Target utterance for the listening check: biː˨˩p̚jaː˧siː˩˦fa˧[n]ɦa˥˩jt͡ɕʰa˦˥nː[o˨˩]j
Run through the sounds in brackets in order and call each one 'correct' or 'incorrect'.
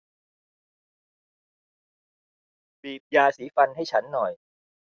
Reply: correct, incorrect

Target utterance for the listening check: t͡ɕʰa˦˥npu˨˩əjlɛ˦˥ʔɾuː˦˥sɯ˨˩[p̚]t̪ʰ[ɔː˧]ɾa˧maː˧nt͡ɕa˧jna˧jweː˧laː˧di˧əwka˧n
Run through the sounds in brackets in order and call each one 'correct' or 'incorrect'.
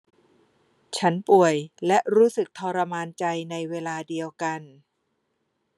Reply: incorrect, correct

